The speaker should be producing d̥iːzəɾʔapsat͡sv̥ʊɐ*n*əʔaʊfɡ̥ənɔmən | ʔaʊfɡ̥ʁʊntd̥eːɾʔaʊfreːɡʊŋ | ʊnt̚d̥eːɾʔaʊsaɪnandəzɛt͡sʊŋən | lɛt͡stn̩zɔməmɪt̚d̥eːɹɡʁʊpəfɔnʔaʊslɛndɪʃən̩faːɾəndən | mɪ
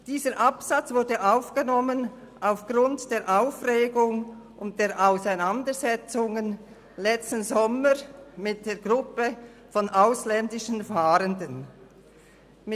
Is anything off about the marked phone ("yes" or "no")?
yes